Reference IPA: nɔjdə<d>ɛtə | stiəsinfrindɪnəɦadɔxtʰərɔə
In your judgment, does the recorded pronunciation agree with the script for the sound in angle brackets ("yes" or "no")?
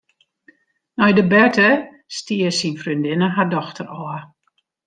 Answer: no